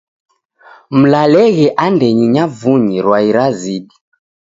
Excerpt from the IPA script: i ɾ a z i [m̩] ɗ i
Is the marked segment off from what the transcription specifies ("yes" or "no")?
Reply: yes